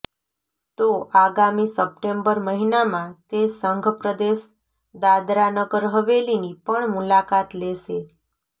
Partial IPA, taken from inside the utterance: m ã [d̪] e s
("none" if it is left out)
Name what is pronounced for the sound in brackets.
t̪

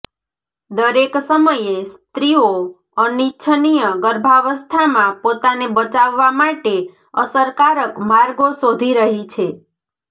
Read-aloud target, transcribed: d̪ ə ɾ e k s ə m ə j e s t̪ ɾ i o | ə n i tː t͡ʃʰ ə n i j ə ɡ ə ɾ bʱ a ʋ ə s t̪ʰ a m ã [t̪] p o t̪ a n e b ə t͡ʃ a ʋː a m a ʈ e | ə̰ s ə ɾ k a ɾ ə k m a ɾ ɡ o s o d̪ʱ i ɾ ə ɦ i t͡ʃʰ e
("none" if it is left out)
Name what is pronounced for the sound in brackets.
none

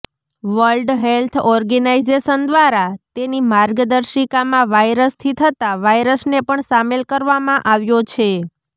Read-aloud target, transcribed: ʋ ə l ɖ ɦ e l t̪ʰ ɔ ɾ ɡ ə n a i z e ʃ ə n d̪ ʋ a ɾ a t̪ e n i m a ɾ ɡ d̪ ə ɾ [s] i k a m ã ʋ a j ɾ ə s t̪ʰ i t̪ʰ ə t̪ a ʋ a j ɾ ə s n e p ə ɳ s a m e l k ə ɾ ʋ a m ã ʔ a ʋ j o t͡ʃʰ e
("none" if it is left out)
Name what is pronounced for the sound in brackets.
ʃ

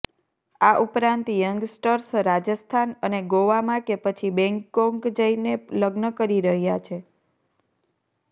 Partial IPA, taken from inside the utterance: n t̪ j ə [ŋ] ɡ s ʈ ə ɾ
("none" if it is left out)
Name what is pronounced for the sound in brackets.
ŋ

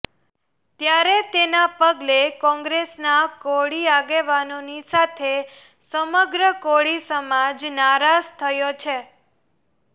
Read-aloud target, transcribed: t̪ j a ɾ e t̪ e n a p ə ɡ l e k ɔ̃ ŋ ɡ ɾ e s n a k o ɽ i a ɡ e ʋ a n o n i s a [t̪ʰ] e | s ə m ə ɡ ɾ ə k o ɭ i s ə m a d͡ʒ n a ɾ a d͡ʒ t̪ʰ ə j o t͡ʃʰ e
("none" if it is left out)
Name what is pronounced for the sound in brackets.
t̪ʰ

